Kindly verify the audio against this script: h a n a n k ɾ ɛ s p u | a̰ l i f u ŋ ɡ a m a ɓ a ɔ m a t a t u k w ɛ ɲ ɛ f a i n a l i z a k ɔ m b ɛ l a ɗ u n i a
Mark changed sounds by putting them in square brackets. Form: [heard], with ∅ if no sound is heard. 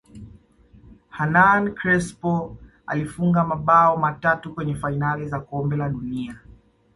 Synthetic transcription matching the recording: h a n a n k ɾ ɛ s p [ɔ] | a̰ l i f u ŋ ɡ a m a ɓ a ɔ m a t a t u k w ɛ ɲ ɛ f a i n a l i z a k ɔ m b ɛ l a ɗ u n i a